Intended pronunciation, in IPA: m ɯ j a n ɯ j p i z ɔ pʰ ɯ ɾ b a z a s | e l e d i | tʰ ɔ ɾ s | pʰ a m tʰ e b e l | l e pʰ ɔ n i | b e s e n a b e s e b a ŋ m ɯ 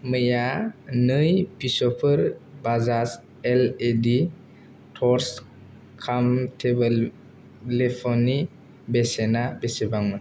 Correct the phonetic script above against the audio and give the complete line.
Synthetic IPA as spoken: m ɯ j a n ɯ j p i s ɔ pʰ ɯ ɾ b a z a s | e l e d i | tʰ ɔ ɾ s | kʰ a m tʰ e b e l | l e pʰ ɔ n i | b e s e n a b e s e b a ŋ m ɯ